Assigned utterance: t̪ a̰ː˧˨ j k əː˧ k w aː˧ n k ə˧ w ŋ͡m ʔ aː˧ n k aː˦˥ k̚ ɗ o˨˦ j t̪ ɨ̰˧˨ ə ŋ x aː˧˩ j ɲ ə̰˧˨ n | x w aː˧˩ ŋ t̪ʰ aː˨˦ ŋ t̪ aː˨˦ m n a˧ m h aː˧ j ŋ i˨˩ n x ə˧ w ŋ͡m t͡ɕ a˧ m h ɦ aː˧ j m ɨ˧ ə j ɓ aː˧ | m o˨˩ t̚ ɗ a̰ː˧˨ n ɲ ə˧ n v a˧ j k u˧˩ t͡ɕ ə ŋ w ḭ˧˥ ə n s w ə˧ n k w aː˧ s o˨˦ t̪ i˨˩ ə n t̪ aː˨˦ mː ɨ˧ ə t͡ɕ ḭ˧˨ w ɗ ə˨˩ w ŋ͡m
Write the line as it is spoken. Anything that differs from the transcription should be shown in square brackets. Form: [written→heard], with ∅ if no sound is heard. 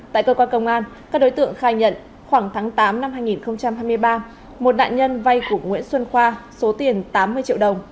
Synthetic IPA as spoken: t̪ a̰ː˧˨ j k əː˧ k w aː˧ n k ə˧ w ŋ͡m ʔ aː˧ n k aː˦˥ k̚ ɗ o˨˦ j t̪ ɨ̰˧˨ ə ŋ x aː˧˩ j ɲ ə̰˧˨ n | x w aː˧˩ ŋ t̪ʰ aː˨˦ ŋ t̪ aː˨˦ m n a˧ m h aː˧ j ŋ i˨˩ n x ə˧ w ŋ͡m t͡ɕ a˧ m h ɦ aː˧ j m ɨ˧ ə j ɓ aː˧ | m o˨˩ t̚ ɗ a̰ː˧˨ n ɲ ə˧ n v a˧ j k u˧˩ [t͡ɕ→∅] ə ŋ w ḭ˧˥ ə n s w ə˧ n [k→x] w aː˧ s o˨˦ t̪ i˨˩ ə n t̪ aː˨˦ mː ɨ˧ ə t͡ɕ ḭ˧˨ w ɗ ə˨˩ w ŋ͡m